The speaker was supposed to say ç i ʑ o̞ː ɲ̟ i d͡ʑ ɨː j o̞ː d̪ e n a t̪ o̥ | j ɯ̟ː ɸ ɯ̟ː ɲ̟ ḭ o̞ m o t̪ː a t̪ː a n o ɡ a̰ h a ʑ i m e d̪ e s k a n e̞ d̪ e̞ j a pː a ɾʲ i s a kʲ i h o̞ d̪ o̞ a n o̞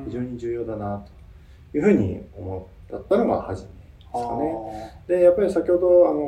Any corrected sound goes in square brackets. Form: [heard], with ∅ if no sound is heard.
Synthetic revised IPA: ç i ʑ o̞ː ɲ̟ i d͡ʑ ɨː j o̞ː d̪ [a] n a t̪ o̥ | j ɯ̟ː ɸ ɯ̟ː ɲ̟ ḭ o̞ m o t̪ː a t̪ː a n o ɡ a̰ h a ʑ i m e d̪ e s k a n e̞ d̪ e̞ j a pː a ɾʲ i s a kʲ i h o̞ d̪ o̞ a n o̞